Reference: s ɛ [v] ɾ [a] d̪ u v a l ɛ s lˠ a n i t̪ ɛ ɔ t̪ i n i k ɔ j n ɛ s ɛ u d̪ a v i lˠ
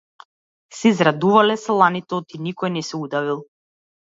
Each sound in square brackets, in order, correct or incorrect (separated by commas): incorrect, correct